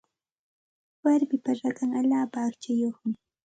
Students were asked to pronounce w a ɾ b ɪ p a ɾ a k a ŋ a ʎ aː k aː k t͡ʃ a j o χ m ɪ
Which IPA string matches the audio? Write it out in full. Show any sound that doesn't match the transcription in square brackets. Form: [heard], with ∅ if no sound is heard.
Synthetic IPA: w a ɾ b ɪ p a ɾ a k a ŋ a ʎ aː [p] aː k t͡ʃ a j o χ m ɪ